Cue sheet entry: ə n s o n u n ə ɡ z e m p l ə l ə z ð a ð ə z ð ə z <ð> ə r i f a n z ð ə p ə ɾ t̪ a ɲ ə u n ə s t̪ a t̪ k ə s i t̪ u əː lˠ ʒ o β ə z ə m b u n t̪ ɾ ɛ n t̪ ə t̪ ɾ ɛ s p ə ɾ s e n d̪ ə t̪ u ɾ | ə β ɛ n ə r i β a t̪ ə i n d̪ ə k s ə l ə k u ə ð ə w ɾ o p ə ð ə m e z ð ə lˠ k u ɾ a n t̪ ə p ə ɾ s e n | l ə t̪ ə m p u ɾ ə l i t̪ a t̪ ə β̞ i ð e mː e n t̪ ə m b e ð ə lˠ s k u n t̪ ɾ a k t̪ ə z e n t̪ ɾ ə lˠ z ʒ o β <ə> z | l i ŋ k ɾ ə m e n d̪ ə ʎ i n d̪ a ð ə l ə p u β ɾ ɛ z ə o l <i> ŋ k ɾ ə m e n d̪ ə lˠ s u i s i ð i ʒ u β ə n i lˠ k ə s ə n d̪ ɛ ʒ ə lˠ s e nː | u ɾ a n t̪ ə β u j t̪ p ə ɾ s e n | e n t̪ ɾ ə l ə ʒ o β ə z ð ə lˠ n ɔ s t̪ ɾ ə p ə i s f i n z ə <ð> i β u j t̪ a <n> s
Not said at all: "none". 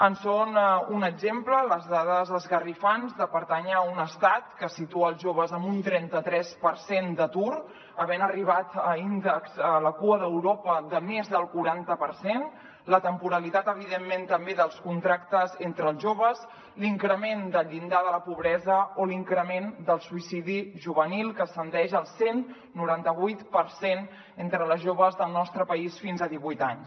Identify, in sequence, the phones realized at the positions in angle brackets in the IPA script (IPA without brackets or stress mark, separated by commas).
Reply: ɣ, ə, i, ð, ɲ